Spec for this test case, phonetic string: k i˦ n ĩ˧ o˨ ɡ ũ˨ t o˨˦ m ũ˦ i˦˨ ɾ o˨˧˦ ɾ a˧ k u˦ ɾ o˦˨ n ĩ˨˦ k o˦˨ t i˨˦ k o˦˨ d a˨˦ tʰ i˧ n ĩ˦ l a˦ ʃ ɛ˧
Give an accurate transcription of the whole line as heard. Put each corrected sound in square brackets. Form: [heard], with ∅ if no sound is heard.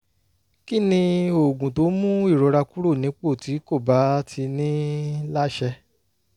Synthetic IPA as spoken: k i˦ n ĩ˧ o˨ ɡ ũ˨ t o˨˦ m ũ˦ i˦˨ ɾ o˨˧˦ ɾ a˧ k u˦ ɾ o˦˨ n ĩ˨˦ [k͡p] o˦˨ t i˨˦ k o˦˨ [b] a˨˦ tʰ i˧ n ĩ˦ l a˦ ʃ ɛ˧